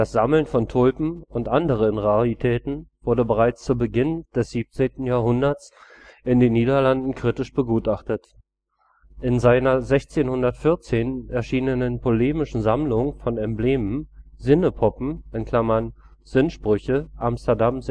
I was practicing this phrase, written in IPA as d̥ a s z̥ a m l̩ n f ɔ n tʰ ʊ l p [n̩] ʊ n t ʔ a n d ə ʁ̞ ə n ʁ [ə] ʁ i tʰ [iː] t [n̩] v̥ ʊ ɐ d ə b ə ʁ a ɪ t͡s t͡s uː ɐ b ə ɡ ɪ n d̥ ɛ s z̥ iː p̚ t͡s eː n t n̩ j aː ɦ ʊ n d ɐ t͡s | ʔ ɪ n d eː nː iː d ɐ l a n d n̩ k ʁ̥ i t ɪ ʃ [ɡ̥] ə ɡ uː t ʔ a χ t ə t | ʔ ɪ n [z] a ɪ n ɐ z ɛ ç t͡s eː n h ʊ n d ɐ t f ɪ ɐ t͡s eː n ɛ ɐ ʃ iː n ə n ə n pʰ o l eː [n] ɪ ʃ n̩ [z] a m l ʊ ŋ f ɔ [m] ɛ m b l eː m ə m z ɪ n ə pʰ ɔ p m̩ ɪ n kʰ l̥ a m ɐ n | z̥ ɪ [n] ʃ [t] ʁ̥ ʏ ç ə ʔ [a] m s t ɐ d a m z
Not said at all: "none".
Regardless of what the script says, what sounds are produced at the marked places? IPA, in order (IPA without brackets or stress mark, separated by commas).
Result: m̩, a, ɛː, n̩, b̥, z, m, z, n, n, p, a